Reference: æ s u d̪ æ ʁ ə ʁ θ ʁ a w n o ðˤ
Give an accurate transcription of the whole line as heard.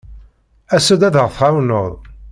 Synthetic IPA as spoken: æ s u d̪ æ ð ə ʁ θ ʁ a w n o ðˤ